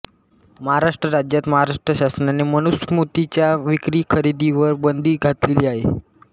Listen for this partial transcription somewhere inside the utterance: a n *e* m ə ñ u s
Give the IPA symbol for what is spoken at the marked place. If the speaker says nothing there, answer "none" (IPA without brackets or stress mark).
e